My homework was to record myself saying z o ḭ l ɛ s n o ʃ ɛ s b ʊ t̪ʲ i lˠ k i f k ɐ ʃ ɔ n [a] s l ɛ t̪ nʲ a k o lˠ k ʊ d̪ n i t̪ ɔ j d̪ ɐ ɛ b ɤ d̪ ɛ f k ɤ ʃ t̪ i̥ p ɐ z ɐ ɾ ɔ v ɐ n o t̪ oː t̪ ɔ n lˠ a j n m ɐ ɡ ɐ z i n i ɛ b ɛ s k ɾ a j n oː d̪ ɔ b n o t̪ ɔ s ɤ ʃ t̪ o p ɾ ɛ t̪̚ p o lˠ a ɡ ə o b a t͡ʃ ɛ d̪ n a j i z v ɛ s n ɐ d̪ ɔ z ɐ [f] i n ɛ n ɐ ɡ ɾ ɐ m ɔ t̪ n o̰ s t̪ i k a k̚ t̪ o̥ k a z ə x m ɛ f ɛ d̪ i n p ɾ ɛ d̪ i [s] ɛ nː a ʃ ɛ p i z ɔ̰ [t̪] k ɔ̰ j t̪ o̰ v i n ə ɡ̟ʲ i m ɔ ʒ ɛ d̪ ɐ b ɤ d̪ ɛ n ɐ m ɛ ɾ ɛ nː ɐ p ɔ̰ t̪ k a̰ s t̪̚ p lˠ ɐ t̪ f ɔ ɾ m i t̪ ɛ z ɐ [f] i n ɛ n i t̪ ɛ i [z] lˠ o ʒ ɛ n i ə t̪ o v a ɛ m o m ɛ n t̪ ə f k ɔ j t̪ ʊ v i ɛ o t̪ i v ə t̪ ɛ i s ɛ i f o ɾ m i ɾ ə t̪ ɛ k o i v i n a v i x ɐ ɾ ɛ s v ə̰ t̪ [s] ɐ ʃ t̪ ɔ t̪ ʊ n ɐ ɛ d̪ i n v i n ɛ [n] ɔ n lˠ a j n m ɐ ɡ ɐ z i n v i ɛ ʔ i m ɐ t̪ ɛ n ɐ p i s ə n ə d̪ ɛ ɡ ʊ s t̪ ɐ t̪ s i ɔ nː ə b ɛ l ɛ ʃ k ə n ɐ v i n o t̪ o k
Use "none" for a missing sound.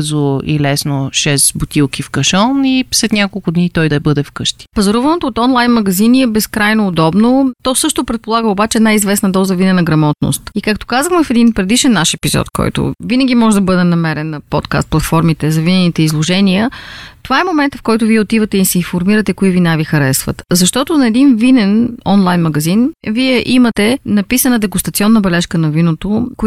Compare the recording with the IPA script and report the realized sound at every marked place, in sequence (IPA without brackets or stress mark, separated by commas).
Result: i, v, ʃ, t̪, v, z, z, n